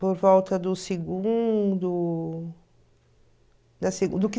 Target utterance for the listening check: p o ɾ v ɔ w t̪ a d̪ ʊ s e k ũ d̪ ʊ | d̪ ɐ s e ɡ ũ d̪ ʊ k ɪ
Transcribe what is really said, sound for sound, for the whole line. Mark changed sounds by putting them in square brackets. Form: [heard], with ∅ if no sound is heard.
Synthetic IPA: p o ɾ v ɔ w t̪ [ɐ] d̪ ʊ s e [ɡ] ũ d̪ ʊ | d̪ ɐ s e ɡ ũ d̪ ʊ k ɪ

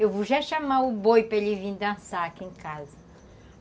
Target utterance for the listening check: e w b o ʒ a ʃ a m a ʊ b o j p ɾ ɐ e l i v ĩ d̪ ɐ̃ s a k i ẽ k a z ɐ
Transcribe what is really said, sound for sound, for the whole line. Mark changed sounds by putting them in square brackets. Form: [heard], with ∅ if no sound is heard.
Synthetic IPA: e w [v] o ʒ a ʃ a m a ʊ b o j p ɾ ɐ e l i v ĩ d̪ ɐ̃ s a k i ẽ k a z ɐ

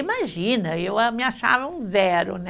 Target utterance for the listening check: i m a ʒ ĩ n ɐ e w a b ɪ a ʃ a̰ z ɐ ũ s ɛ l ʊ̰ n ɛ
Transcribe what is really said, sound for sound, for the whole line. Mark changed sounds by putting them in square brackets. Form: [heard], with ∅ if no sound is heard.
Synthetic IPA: i m a ʒ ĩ n ɐ e w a [m] ɪ a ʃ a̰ [v] ɐ ũ [z] ɛ [ɾ] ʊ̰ n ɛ

